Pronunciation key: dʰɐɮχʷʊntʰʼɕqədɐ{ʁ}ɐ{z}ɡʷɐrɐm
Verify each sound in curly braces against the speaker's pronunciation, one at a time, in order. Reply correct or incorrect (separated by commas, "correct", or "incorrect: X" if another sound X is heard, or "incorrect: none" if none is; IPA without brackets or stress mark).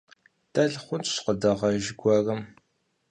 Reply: correct, incorrect: ʒ